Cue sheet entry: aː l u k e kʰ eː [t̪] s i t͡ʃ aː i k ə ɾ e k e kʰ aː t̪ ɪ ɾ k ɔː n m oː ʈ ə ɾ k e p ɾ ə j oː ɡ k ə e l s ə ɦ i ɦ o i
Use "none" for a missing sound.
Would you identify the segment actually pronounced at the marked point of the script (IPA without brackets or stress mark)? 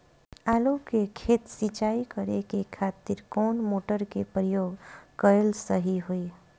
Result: t̪